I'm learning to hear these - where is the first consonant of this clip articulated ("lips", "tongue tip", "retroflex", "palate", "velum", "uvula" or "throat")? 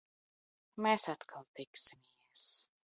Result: lips